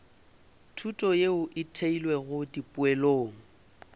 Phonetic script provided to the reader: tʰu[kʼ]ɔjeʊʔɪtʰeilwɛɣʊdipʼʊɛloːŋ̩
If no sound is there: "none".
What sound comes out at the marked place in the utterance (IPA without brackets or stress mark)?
tʼ